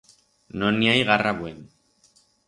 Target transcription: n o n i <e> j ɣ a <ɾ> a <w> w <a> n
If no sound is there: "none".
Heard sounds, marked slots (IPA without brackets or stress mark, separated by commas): a, r, β, e